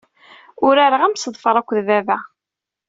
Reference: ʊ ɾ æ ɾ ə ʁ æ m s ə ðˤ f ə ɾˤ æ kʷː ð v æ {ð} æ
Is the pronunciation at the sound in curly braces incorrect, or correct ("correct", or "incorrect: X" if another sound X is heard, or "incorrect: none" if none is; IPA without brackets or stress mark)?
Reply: incorrect: v